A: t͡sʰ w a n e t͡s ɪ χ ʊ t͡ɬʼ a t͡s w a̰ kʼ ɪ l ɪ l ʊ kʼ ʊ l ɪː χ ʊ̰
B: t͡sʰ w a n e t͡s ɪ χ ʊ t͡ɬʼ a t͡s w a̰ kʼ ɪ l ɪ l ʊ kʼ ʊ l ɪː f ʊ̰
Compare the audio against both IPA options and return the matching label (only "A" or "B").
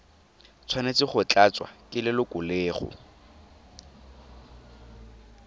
A